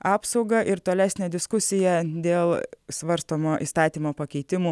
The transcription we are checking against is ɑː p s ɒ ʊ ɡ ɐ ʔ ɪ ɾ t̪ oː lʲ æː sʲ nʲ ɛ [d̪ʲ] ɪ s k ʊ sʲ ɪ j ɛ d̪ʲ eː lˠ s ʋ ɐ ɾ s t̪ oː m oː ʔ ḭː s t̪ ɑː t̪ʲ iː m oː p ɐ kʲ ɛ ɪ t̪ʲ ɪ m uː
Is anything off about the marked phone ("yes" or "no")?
no